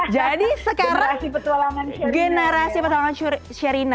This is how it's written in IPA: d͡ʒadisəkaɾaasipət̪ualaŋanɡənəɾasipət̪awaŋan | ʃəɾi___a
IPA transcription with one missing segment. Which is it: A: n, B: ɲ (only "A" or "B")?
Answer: A